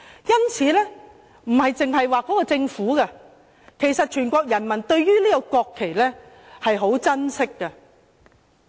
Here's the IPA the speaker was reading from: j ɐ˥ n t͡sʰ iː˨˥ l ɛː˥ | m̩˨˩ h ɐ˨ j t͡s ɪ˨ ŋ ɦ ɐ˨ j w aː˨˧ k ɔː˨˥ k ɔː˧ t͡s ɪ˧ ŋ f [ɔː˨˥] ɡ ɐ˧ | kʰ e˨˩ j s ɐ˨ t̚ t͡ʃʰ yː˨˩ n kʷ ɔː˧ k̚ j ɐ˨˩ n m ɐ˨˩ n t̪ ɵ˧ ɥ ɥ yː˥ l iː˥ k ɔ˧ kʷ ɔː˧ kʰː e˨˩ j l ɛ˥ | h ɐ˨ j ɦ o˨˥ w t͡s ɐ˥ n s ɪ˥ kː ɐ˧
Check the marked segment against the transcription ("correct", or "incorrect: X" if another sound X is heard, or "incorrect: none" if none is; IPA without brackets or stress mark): incorrect: uː˨˥